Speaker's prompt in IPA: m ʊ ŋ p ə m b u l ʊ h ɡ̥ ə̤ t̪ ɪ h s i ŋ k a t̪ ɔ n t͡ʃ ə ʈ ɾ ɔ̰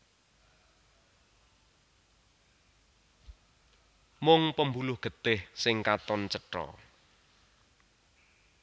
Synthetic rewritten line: m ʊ ŋ p ə m b u l ʊ h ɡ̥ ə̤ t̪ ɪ h s ɪ ŋ k a t̪ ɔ n t͡ʃ ə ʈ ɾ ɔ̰